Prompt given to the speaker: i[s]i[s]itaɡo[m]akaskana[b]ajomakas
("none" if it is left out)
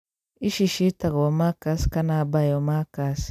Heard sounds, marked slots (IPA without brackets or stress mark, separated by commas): ʃ, ʃ, m, b